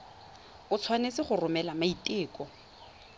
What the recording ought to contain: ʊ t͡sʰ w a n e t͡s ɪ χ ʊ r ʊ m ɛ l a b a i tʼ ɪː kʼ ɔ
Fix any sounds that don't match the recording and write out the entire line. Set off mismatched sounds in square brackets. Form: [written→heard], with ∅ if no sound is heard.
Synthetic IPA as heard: ʊ t͡sʰ w a n e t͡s ɪ χ ʊ r ʊ m ɛ l a [b→m] a i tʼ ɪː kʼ ɔ